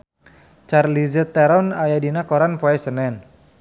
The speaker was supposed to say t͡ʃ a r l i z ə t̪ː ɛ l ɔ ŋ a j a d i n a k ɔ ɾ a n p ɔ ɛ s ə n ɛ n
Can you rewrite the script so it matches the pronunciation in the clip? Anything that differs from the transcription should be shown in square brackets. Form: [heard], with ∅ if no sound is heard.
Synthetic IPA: t͡ʃ a r l i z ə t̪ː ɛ [ɾ] ɔ [n] a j a d i n a k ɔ ɾ a n p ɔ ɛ s ə n ɛ n